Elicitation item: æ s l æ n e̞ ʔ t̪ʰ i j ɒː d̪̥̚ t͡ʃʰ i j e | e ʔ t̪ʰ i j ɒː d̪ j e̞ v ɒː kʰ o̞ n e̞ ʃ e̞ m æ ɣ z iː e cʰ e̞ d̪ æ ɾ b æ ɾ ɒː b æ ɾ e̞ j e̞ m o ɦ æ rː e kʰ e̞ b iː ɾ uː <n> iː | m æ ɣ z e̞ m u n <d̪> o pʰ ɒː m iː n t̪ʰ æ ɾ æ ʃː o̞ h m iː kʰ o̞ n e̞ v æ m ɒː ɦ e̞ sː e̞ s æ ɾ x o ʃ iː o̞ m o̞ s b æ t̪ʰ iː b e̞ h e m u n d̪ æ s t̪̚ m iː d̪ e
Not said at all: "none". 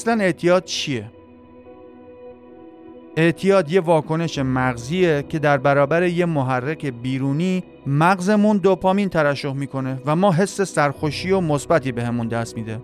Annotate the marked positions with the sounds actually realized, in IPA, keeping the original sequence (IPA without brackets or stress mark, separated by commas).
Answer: n, d̪